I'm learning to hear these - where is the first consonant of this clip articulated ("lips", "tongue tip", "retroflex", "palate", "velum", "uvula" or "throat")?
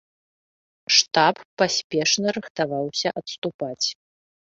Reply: retroflex